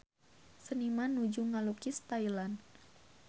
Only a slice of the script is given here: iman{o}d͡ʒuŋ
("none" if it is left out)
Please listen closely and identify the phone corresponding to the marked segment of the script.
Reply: u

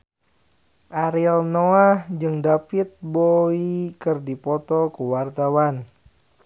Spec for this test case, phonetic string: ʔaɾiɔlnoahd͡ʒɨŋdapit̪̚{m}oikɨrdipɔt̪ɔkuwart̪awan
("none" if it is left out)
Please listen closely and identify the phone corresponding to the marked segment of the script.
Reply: b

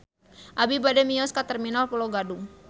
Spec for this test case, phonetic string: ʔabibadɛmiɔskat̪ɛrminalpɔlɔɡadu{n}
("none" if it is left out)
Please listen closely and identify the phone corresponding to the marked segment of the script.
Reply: ŋ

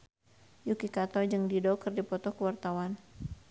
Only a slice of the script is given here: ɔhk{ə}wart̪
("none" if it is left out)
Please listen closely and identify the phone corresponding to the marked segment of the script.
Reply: ə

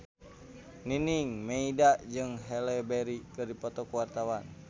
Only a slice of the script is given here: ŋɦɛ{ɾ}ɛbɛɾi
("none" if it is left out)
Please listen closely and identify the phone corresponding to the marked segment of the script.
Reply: l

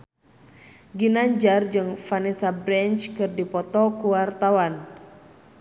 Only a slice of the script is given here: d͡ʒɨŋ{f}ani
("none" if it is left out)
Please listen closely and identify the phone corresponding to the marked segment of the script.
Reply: f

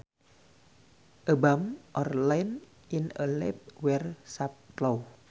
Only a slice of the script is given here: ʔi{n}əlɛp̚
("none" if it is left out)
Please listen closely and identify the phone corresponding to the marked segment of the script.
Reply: n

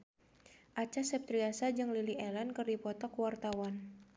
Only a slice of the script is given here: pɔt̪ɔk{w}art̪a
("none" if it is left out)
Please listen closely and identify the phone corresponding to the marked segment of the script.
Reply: w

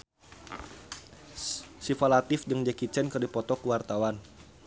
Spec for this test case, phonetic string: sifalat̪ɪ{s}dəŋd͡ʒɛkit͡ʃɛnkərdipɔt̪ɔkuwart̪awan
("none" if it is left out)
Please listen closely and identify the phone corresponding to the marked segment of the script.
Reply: f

